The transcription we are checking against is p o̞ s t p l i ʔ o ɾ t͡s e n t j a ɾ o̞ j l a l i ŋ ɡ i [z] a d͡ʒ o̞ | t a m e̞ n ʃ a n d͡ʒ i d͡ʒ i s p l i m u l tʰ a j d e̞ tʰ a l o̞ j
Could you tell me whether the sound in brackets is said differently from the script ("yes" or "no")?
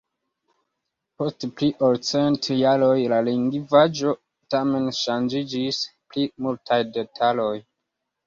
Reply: yes